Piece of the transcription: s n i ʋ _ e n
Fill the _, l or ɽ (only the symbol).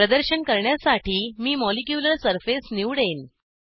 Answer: ɽ